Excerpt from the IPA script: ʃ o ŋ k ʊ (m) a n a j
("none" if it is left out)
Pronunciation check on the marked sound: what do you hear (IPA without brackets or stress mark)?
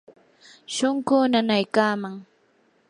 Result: n